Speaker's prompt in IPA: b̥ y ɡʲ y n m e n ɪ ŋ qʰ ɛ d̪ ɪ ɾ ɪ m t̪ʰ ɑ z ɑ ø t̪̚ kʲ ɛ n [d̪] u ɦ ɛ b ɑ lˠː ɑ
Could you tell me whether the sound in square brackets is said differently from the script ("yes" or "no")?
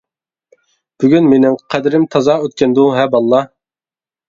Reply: no